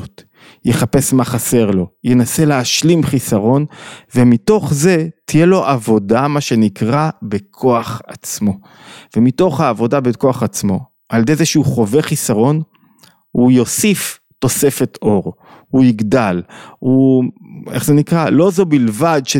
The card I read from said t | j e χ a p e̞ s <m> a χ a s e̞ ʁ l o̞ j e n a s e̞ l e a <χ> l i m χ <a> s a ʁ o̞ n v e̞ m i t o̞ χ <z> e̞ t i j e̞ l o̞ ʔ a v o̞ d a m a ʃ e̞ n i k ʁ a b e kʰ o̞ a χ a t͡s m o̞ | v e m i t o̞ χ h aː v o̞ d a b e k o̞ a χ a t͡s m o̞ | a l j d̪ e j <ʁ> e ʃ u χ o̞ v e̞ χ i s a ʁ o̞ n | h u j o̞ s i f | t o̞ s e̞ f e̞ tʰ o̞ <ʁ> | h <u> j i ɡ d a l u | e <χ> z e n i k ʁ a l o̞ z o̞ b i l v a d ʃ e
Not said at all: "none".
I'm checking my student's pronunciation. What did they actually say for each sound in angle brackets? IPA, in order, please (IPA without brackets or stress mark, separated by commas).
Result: m, ʃ, i, z, z, ʁ, u, χ